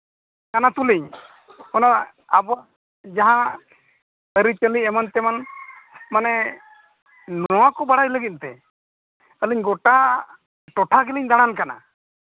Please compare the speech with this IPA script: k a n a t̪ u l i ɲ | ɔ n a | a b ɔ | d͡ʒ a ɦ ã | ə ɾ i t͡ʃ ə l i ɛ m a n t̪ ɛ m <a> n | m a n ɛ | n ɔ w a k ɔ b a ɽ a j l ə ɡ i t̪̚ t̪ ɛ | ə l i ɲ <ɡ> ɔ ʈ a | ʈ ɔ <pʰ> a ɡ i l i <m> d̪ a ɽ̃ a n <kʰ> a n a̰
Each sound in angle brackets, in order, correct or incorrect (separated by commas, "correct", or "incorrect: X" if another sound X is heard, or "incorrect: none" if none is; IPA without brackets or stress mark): correct, correct, incorrect: ʈʰ, incorrect: ɲ, incorrect: k